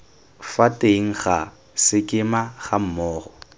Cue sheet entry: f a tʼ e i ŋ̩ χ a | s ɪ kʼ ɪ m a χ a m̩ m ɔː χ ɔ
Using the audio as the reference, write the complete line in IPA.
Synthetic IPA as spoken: f a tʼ e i ŋ̩ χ a | s ɪ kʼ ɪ m a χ a m̩ m ɔː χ ɔ